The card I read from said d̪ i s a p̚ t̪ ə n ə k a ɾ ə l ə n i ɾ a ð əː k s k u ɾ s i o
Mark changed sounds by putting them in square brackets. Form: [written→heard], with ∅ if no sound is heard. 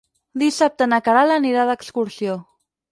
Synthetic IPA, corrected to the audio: d̪ i s a p̚ t̪ ə n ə k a ɾ [ə→a] l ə n i ɾ a ð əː k s k u ɾ s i o

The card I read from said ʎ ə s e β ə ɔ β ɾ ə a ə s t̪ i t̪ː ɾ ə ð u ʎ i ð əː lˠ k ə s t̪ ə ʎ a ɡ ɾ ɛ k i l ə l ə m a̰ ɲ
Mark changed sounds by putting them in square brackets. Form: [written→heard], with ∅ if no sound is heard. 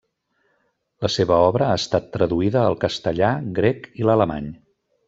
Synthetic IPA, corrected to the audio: [ʎ→l] ə s e β ə ɔ β ɾ ə a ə s t̪ [i→a] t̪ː ɾ ə ð u [ʎ→∅] i ð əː lˠ k ə s t̪ ə ʎ a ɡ ɾ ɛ k i l ə l ə m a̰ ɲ

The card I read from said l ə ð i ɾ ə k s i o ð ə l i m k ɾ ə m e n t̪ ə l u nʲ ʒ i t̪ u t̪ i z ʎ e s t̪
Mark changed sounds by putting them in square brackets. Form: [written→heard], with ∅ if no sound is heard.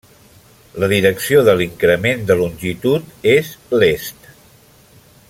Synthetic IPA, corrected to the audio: l ə ð i ɾ ə k s i o ð ə l i [m→ŋ] k ɾ ə m e n [t̪→d̪] ə l u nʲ ʒ i t̪ u t̪ [i→e] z [ʎ→l] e s t̪

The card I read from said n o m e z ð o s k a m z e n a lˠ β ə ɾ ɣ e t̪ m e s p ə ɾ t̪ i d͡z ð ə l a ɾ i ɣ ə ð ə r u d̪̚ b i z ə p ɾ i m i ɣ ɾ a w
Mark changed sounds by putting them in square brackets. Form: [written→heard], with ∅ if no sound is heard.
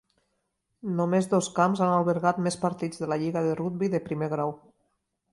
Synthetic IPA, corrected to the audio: n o m e z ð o s k a m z [e→a] n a lˠ β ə ɾ ɣ [e→a] t̪ m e s p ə ɾ t̪ i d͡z ð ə l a [ɾ→ʎ] i ɣ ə ð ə r u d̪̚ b i [z→ð] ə p ɾ i m [i→e] ɣ ɾ a w

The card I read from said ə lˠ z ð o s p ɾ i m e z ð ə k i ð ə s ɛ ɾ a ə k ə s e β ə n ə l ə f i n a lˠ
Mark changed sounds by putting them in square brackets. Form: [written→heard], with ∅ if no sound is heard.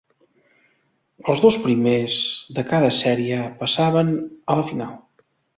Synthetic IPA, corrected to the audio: ə lˠ z ð o s p ɾ i m e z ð ə k [i→a] ð ə s ɛ ɾ [a→i] ə [k→p] ə s [e→a] β ə n ə l ə f i n a lˠ

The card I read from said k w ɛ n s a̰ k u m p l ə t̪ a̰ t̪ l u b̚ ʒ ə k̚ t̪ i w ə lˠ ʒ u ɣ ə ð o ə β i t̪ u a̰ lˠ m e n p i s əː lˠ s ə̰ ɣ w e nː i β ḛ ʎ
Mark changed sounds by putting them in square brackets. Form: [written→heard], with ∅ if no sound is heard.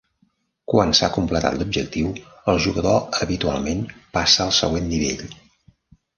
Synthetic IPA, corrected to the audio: k w [ɛ→a] n s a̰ k u m p l ə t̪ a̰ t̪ l u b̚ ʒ ə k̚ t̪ i w ə lˠ ʒ u ɣ ə ð o ə β i t̪ u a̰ lˠ m e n p [i→a] s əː lˠ s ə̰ ɣ w e nː i β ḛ ʎ

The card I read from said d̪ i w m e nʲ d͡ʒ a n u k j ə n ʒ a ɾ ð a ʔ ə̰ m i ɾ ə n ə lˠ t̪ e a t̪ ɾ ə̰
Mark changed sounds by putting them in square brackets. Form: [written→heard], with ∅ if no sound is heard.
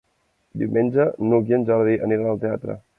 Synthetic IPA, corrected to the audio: d̪ i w m e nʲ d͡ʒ [a→ə] n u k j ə n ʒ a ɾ ð [a→i] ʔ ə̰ [m→n] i ɾ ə n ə lˠ t̪ e a t̪ ɾ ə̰

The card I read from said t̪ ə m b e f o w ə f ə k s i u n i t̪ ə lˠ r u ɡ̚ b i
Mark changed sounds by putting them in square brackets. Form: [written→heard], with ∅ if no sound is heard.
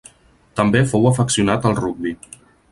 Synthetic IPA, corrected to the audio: t̪ ə m b e f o w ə f ə k s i u n [i→a] t̪ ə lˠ r u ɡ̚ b i

